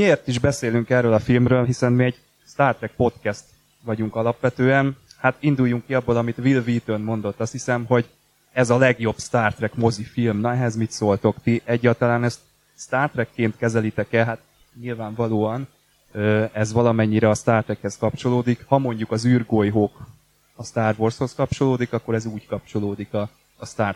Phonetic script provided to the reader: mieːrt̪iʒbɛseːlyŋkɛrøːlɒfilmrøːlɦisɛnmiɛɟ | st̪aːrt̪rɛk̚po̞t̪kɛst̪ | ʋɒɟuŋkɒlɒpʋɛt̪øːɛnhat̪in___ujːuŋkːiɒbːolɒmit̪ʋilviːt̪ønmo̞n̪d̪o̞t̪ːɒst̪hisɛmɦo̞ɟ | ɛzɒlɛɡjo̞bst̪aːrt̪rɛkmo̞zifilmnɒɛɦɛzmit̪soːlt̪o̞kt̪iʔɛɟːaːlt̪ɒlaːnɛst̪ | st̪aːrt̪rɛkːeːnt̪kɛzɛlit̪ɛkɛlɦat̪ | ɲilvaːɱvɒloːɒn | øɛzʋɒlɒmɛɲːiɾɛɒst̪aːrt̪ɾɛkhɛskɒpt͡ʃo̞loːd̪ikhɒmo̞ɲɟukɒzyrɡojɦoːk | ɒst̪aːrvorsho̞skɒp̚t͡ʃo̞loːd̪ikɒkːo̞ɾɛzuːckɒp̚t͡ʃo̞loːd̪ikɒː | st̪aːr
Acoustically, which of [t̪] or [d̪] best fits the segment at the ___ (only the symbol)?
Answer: d̪